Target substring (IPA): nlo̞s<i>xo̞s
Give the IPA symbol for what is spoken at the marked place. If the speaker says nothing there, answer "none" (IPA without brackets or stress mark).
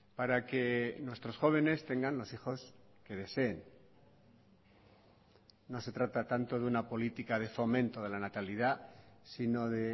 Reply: i